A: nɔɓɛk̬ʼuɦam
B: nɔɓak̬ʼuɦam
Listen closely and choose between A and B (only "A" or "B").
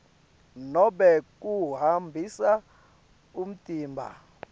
A